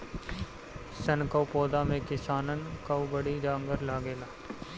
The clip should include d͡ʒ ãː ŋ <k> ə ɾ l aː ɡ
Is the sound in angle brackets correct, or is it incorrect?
incorrect